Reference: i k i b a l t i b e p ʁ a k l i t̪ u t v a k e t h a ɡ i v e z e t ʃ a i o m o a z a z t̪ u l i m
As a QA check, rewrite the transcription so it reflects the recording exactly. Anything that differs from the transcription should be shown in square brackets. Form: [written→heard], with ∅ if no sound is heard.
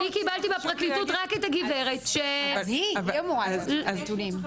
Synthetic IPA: i k i b a l t i b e p ʁ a k l i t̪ u t [v→ʁ] a k e t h a ɡ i v e [z→ʁ] e t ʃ [a→e] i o m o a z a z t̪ u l i m